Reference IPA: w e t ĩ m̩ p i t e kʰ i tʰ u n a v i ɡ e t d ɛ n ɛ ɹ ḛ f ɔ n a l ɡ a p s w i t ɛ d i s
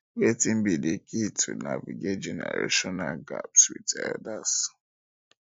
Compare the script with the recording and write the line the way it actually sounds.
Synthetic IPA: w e t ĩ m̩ b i d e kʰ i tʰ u n a v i ɡ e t d͡ʒ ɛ n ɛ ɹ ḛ ʃ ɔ n a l ɡ a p s w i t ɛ d a s